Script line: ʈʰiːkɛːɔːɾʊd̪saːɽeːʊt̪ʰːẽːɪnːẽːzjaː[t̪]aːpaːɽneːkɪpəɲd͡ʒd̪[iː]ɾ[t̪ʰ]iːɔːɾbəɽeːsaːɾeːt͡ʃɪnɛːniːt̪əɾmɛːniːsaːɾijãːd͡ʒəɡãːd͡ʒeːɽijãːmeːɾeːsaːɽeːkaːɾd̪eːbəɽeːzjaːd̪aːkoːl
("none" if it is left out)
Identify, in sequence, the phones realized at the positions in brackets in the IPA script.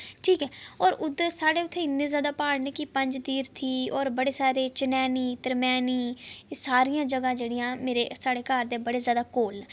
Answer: d̪, iː, t̪ʰ

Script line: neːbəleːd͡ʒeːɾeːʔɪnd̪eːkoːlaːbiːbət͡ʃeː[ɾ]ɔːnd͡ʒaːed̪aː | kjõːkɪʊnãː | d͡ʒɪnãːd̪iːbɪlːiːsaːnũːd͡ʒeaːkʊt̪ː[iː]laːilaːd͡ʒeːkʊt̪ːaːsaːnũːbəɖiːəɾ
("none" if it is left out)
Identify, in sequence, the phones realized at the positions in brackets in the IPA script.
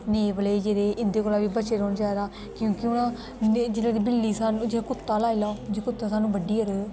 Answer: ɾ, aː

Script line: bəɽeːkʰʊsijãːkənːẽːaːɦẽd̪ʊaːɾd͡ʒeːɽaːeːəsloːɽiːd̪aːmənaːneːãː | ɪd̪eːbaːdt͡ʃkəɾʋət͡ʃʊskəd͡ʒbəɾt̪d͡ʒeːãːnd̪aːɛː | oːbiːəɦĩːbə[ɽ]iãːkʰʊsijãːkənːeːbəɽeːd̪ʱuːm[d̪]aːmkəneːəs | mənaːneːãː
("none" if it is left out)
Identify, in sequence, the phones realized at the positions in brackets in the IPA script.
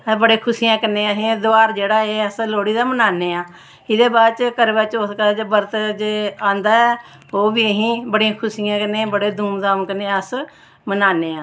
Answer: ɽ, d̪

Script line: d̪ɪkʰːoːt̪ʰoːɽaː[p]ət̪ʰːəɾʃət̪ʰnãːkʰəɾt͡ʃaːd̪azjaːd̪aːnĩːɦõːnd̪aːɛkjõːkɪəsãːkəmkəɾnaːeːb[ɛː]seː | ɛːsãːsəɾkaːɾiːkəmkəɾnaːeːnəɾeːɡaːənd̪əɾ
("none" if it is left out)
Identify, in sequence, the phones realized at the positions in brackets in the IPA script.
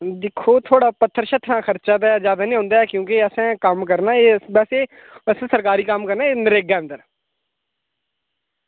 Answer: p, ɛː

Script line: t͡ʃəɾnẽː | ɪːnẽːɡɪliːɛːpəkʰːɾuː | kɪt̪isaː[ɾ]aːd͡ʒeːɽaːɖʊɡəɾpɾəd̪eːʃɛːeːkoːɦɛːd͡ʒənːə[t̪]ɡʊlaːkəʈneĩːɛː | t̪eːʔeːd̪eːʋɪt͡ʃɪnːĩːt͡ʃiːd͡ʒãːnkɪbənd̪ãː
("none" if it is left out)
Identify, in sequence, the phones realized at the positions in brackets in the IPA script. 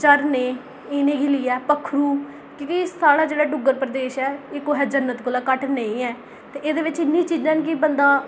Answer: ɽ, t̪

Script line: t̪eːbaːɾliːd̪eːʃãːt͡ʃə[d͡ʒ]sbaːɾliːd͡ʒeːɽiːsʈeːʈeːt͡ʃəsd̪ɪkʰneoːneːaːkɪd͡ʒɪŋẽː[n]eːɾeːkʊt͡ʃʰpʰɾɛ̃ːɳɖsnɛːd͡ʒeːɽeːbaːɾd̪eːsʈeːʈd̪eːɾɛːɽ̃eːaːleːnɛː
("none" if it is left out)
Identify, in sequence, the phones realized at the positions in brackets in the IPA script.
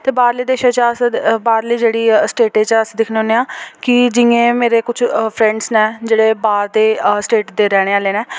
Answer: none, m

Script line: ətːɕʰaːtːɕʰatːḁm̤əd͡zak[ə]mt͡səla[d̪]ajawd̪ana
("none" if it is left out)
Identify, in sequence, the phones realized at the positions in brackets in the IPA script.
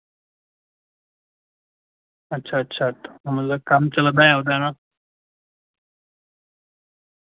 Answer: a, d̪

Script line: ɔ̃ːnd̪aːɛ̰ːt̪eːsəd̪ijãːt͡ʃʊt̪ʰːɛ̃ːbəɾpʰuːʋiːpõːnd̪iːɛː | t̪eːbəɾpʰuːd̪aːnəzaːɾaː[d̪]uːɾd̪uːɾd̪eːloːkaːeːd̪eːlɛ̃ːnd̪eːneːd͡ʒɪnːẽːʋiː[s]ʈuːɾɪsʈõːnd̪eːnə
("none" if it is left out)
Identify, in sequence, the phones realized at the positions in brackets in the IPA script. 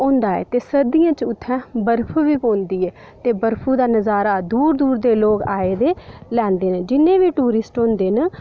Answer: d̪, none

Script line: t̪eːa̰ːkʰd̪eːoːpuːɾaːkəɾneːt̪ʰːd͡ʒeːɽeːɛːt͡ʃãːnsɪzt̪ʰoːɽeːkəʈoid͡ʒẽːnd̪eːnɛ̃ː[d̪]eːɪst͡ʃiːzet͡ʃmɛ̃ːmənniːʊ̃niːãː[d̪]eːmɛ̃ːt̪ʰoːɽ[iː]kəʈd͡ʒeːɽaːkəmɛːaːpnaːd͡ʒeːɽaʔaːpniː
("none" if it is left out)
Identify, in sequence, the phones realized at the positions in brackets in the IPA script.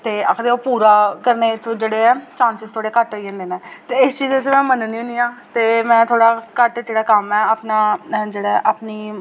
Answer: t̪, t̪, aː

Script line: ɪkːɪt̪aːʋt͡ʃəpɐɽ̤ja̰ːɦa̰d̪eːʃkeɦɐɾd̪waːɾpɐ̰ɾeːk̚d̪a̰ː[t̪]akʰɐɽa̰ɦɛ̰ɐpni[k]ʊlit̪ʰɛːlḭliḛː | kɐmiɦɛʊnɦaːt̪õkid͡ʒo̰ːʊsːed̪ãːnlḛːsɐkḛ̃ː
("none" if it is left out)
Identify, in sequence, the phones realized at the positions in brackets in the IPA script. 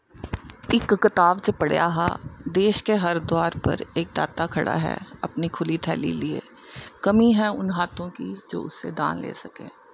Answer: t̪, kʰ

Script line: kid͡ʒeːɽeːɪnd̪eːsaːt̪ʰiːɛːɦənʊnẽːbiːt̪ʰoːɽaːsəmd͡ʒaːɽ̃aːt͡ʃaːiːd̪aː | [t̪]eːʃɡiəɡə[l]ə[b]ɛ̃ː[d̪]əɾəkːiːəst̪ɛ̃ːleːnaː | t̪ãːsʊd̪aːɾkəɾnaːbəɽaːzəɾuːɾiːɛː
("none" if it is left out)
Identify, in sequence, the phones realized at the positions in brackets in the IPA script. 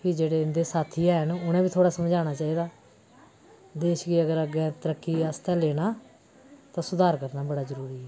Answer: d̪, ɾ, ɡ, t̪

